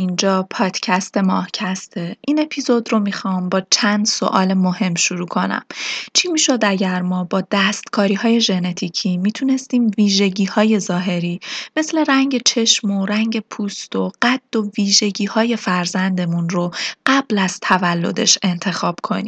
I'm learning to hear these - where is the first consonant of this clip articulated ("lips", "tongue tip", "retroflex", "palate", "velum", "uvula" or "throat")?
tongue tip